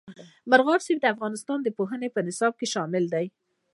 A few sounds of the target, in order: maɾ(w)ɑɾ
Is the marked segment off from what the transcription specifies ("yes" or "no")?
yes